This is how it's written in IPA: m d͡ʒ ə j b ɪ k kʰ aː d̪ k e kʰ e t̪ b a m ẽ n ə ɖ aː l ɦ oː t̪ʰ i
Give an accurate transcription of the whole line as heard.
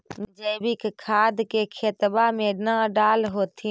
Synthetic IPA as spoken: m d͡ʒ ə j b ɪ k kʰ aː d̪ k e kʰ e t̪ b a m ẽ n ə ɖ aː l ɦ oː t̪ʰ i